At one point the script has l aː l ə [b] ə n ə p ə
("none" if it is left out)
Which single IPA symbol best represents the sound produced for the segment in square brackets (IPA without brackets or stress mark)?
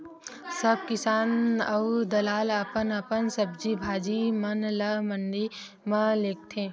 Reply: p